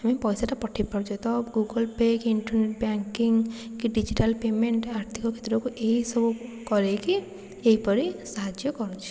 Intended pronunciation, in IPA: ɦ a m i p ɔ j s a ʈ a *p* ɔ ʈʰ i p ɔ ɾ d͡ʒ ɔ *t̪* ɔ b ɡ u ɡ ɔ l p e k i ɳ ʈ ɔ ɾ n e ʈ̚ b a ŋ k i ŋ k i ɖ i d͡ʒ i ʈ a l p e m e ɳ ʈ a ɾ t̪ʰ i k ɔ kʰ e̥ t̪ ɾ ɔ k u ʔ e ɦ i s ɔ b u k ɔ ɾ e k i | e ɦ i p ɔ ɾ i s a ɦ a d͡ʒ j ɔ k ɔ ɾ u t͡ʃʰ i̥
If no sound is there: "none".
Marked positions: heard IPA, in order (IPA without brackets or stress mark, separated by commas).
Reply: p, t̪